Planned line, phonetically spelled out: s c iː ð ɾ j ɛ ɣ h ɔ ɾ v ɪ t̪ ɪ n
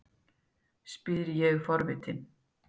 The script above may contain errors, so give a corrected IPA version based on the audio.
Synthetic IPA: s p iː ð ɾ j ɛ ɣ f ɔ ɾ v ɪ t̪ ɪ n

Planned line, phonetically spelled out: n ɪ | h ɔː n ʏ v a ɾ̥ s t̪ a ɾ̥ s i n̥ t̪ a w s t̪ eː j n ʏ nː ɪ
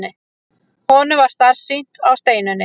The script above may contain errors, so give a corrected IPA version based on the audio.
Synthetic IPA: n ɪ | h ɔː n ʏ v a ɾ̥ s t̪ a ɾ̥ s i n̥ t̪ a w s t̪ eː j n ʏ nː ɪ

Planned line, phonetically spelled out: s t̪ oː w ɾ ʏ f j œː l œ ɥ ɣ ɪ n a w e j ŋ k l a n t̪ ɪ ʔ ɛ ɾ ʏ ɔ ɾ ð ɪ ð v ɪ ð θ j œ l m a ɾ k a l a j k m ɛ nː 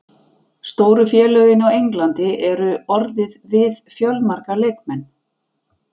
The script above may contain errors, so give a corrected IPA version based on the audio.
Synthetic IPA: s t̪ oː w ɾ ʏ f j ɛː l œ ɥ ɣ ɪ n a w e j ŋ k l a n t̪ ɪ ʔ ɛ ɾ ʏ ɔ ɾ ð ɪ ð v ɪ ð f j œ l m a ɾ k a l e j k m ɛ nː

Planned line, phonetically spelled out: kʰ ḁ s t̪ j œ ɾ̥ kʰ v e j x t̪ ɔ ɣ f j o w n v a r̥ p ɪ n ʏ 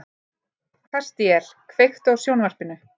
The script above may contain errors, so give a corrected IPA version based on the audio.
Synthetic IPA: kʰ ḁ s t̪ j ɛ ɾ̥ kʰ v e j x t̪ ɔ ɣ s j o w n v a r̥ p ɪ n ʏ

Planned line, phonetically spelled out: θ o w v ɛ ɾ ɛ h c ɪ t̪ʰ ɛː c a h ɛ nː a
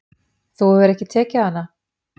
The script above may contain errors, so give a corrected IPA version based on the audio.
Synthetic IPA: θ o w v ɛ ɾ ɛ h c ɪ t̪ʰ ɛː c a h a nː a

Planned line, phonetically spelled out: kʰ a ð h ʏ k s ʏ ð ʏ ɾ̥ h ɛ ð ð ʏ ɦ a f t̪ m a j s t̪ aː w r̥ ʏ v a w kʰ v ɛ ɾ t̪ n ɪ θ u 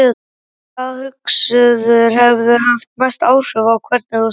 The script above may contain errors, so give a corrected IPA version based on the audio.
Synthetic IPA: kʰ a ð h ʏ k s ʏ ð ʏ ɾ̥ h ɛ v ð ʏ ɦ a f t̪ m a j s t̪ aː w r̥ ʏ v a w kʰ v ɛ ɾ t̪ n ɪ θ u

